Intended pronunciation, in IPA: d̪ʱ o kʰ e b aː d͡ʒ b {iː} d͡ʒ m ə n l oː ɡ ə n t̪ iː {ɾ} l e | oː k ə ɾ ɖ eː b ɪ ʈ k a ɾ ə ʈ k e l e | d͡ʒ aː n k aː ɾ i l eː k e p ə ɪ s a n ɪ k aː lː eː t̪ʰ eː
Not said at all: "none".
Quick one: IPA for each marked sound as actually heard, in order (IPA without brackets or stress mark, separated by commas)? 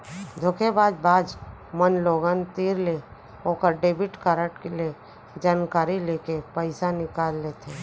aː, ɾ